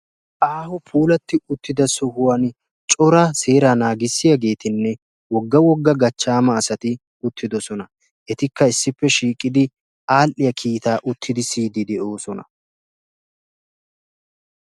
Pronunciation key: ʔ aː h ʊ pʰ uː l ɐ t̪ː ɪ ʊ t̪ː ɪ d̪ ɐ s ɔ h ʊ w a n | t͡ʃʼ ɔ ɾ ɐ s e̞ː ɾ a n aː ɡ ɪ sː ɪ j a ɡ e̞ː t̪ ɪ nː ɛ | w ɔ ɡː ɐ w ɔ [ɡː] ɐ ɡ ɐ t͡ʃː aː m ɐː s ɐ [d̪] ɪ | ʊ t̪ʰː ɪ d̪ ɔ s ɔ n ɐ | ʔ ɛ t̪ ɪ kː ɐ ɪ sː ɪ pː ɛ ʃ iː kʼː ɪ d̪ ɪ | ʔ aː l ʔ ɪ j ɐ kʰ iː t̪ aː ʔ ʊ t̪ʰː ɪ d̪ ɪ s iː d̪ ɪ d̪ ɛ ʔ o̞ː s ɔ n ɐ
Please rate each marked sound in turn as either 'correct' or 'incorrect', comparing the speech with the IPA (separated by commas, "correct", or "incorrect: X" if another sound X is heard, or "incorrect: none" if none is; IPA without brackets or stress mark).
correct, incorrect: t̪